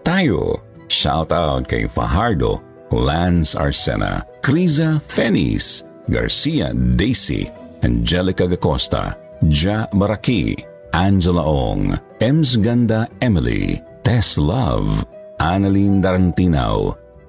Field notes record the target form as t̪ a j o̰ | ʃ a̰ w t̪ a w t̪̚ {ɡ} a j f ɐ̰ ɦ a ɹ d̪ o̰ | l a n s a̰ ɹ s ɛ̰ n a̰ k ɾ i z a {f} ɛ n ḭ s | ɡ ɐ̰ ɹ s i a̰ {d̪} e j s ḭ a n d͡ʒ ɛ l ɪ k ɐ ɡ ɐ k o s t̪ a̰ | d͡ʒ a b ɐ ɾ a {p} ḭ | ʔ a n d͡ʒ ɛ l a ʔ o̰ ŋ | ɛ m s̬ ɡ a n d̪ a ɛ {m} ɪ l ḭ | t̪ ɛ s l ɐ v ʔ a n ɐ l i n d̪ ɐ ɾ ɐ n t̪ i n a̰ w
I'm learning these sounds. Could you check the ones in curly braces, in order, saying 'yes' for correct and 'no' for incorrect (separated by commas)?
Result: no, yes, yes, no, yes